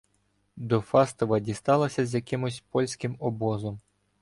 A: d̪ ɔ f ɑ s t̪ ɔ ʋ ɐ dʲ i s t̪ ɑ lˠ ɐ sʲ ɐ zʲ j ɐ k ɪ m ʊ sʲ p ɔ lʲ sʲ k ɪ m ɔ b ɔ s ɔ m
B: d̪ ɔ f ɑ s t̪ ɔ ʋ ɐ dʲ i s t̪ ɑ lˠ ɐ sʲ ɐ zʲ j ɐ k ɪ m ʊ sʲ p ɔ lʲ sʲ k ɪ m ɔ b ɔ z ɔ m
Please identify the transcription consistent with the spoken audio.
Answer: B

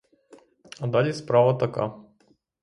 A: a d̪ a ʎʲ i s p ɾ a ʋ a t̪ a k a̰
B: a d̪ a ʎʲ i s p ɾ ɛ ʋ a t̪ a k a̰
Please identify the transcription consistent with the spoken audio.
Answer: A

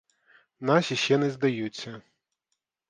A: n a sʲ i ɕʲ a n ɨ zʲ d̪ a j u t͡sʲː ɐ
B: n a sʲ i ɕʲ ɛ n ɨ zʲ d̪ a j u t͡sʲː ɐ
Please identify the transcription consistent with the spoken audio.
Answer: B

